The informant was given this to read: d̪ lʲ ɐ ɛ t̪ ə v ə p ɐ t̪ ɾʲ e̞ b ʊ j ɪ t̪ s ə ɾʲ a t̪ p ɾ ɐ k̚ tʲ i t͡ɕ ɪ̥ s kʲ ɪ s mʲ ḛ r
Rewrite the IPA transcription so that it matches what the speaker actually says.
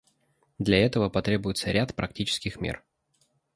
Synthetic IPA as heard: d̪ lʲ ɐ ɛ t̪ ə v ə p ɐ t̪ ɾʲ e̞ b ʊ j ɪ t̪ s ə ɾʲ a t̪ p ɾ ɐ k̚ tʲ i t͡ɕ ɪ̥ s kʲ ɪ x mʲ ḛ r